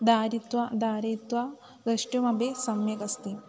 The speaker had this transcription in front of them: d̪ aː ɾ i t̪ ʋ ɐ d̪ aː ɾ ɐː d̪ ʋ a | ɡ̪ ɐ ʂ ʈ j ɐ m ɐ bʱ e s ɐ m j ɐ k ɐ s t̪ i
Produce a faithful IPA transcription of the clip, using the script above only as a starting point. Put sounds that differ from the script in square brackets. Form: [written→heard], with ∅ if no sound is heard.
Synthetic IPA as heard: d̪ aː ɾ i t̪ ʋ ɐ d̪ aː ɾ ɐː [d̪→t̪] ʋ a | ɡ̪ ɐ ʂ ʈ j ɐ m ɐ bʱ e s ɐ m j ɐ k ɐ s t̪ i